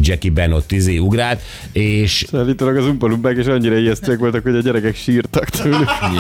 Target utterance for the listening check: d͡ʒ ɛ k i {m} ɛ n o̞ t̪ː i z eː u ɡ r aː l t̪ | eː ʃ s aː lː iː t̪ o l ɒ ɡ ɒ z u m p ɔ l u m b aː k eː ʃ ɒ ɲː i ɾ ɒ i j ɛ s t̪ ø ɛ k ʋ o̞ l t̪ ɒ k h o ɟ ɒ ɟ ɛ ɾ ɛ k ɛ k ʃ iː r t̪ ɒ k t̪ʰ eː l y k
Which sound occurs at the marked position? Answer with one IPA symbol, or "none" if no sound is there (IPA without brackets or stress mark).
b